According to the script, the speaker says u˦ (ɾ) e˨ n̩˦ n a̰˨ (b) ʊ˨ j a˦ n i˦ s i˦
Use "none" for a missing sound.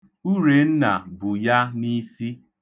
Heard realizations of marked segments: ɾ, b

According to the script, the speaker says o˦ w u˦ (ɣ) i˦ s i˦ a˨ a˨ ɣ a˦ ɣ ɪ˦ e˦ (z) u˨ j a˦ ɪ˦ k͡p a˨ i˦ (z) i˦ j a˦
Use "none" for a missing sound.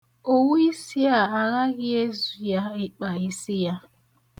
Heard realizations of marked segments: none, z, s

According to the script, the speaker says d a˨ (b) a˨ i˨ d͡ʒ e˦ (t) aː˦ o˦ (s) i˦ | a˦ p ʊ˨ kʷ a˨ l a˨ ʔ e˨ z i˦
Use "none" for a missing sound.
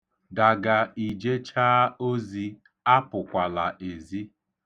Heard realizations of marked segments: ɡ, t͡ʃ, z

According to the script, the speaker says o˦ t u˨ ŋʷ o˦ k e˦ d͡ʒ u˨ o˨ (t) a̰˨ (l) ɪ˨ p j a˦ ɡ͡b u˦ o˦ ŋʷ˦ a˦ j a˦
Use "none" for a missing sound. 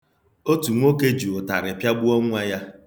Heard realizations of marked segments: t, ɾ

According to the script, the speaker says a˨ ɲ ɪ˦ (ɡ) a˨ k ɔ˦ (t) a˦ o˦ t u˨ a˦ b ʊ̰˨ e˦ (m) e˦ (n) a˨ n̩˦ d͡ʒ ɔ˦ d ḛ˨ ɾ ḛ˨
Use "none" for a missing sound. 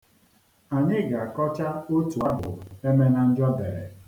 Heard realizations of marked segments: ɡ, t͡ʃ, m, n

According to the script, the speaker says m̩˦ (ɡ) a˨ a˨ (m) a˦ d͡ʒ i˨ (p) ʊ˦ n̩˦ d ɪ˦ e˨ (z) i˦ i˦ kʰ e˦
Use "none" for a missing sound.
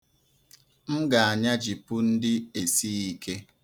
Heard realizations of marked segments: ɡ, ɲ, p, s

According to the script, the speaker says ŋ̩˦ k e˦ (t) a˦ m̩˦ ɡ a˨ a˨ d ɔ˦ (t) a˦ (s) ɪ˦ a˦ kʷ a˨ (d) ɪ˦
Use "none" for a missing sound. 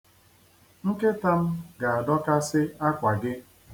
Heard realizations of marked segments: t, k, s, ɡ

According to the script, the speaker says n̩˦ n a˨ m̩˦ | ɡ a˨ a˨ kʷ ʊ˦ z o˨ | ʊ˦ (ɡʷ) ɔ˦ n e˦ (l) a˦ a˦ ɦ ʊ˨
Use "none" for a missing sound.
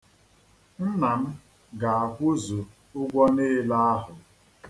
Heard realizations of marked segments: ɡʷ, l

